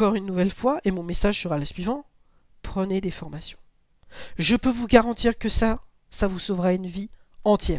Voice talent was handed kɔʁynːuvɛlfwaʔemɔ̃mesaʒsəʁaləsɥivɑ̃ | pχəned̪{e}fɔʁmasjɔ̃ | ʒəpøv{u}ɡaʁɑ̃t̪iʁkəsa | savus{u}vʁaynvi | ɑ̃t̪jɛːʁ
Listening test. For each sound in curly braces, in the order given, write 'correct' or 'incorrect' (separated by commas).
correct, correct, incorrect